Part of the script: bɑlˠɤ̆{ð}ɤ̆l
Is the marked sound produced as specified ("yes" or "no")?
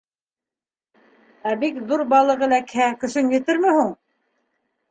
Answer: no